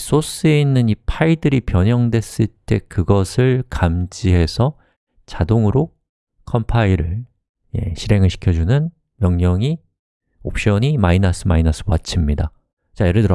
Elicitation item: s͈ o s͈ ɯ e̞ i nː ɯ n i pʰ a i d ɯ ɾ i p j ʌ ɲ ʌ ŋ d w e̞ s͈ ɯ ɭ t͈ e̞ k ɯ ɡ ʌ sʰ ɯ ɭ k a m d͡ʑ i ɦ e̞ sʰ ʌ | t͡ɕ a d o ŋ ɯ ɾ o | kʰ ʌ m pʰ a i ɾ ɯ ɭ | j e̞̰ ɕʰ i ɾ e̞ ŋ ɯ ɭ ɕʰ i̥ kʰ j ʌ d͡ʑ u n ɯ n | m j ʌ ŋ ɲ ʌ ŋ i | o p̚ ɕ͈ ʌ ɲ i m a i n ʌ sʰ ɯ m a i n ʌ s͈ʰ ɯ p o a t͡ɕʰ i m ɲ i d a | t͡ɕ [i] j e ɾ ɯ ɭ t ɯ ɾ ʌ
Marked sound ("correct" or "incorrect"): incorrect